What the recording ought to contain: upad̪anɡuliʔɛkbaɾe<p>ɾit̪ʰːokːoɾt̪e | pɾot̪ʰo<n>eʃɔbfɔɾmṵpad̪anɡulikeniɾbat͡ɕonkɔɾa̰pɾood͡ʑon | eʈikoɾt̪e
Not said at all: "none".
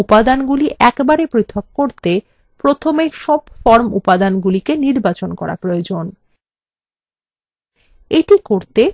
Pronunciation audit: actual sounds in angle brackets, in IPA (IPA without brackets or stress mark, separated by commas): p, m